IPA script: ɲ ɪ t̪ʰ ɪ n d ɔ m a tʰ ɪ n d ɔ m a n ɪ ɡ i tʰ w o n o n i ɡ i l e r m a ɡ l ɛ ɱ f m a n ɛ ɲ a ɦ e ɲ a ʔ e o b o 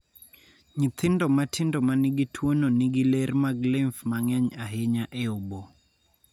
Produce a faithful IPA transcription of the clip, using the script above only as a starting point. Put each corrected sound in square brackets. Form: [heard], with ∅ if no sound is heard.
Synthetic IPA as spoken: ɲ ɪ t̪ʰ ɪ n d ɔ m a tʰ ɪ n d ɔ m a n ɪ ɡ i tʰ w o n o n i ɡ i l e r m a ɡ l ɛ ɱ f m a [ŋ] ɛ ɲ a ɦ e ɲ a ʔ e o b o